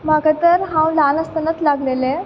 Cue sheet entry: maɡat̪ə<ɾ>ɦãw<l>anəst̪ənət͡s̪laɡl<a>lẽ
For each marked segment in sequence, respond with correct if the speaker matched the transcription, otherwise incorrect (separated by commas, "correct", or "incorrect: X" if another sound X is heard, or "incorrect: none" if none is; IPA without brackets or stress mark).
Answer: correct, correct, incorrect: e